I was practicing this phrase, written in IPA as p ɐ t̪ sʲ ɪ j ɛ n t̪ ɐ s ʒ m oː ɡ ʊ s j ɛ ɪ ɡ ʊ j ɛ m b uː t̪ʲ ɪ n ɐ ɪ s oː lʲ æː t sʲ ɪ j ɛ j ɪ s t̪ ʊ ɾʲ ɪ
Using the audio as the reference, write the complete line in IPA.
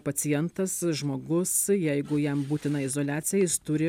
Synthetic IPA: p ɐ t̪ sʲ ɪ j ɛ n t̪ ɐ s ʒ m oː ɡ ʊ s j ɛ ɪ ɡ ʊ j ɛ m b uː t̪ʲ ɪ n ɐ ɪ z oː lʲ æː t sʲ ɪ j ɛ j ɪ s t̪ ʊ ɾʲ ɪ

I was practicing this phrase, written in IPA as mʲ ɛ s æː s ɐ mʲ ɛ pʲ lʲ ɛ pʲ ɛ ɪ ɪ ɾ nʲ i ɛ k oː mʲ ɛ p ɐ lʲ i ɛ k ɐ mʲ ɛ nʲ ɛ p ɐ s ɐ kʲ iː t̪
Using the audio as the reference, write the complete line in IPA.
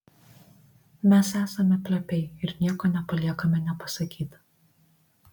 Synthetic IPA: mʲ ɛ s æː s ɐ mʲ ɛ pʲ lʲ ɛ pʲ ɛ ɪ ɪ ɾ nʲ i ɛ k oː nʲ ɛ p ɐ lʲ i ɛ k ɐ mʲ ɛ nʲ ɛ p ɐ s ɐ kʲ iː t̪

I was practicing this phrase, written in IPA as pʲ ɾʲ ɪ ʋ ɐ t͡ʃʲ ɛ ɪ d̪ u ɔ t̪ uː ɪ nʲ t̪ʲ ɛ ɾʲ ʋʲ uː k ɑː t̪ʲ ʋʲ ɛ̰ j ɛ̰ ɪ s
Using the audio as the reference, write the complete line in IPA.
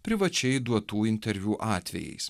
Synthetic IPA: pʲ ɾʲ ɪ ʋ ɐ t͡ʃʲ ɛ ɪ d̪ u ɔ t̪ uː ɪ nʲ t̪ʲ ɛ ɾʲ ʋʲ uː ʔ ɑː t̪ʲ ʋʲ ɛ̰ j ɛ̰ ɪ s

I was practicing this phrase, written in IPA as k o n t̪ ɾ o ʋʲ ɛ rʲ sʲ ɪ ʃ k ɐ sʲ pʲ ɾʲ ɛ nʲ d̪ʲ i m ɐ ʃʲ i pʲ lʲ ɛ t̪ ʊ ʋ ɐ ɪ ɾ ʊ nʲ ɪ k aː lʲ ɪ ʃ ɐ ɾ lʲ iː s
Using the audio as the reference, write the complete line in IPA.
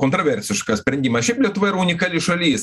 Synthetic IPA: k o n t̪ ɾ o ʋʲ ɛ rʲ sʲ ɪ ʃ k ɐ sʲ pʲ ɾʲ ɛ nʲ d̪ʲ i m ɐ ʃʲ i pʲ lʲ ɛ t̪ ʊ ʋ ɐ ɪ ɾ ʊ nʲ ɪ k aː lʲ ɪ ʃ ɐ lʲ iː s

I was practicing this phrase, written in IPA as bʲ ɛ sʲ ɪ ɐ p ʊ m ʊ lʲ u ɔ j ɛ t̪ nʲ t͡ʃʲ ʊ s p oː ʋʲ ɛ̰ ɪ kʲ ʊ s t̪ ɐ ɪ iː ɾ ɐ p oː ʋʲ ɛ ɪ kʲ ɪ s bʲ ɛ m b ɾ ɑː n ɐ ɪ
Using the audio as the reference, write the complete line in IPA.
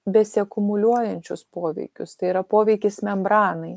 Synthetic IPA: bʲ ɛ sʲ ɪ ɐ k ʊ m ʊ lʲ u ɔ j ɛ nʲ t͡ʃʲ ʊ s p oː ʋʲ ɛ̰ ɪ kʲ ʊ s t̪ ɐ ɪ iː ɾ ɐ p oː ʋʲ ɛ ɪ kʲ ɪ s mʲ ɛ m b ɾ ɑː n ɐ ɪ

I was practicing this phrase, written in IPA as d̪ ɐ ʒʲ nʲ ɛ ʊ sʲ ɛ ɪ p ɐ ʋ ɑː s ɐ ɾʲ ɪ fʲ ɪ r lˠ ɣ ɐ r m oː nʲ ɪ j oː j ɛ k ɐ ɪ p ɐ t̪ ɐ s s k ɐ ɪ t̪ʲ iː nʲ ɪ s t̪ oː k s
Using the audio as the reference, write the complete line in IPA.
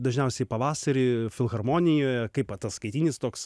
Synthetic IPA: d̪ ɐ ʒʲ nʲ ɛ ʊ sʲ ɛ ɪ p ɐ ʋ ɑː s ɐ ɾʲ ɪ fʲ ɪ lˠ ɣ ɐ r m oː nʲ ɪ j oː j ɛ k ɐ ɪ p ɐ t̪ ɐ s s k ɐ ɪ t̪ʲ iː nʲ ɪ s t̪ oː k s

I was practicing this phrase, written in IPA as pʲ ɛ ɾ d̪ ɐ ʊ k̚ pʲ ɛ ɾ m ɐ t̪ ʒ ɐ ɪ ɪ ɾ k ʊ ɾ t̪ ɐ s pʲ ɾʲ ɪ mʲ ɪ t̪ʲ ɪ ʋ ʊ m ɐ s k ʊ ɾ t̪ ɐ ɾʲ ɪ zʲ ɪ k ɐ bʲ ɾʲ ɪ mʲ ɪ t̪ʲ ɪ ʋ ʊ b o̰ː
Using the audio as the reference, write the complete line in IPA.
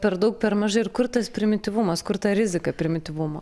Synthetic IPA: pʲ ɛ ɾ d̪ ɐ ʊ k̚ pʲ ɛ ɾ m ɐ ʒ ɐ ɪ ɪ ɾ k ʊ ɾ t̪ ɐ s pʲ ɾʲ ɪ mʲ ɪ t̪ʲ ɪ ʋ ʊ m ɐ s k ʊ ɾ t̪ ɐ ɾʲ ɪ zʲ ɪ k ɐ pʲ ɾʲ ɪ mʲ ɪ t̪ʲ ɪ ʋ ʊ m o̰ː

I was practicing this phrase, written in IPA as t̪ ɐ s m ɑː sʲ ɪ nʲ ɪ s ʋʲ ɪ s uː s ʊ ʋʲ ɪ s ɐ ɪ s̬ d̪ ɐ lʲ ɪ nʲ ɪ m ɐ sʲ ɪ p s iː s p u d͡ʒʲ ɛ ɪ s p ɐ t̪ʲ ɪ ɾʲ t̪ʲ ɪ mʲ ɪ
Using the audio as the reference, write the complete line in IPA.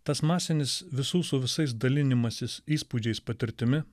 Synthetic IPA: t̪ ɐ s m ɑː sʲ ɪ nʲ ɪ s ʋʲ ɪ s uː s ʊ ʋʲ ɪ s ɐ ɪ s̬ d̪ ɐ lʲ ɪ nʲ ɪ m ɐ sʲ ɪ s iː s p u d͡ʒʲ ɛ ɪ s p ɐ t̪ʲ ɪ ɾʲ t̪ʲ ɪ mʲ ɪ

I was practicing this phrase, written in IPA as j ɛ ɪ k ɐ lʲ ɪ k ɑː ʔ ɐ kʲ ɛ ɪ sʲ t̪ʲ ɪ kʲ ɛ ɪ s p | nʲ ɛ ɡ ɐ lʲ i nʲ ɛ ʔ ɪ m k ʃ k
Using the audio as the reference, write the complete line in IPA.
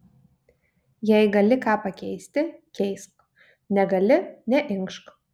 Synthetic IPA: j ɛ ɪ ɡ ɐ lʲ ɪ k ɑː p ɐ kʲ ɛ ɪ sʲ t̪ʲ ɪ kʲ ɛ ɪ s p | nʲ ɛ ɡ ɐ lʲ ɪ nʲ ɛ ʔ ɪ ŋ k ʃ k

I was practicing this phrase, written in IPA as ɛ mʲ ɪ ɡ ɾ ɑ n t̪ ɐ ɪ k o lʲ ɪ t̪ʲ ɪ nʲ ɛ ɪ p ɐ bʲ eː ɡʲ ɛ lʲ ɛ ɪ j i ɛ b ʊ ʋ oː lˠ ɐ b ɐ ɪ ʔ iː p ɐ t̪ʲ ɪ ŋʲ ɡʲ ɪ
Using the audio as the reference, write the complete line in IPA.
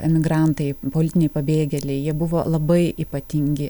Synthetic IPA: ɛ mʲ ɪ ɡ ɾ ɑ n t̪ ɐ ɪ p o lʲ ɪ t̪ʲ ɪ nʲ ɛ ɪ p ɐ bʲ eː ɡʲ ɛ lʲ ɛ ɪ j i ɛ b ʊ ʋ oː lˠ ɐ b ɐ ɪ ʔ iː p ɐ t̪ʲ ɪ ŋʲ ɡʲ ɪ

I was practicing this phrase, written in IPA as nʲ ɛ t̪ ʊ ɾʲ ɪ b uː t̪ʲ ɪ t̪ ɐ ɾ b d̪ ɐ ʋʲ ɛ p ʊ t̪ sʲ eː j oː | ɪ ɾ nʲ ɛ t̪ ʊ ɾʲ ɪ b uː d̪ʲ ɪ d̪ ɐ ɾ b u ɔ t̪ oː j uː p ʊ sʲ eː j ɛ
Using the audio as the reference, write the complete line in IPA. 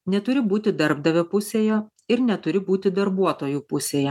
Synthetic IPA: nʲ ɛ t̪ ʊ ɾʲ ɪ b uː t̪ʲ ɪ d̪ ɐ ɾ b d̪ ɐ ʋʲ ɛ p ʊ sʲ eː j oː | ɪ ɾ nʲ ɛ t̪ ʊ ɾʲ ɪ b uː t̪ʲ ɪ d̪ ɐ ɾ b u ɔ t̪ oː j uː p ʊ sʲ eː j ɛ

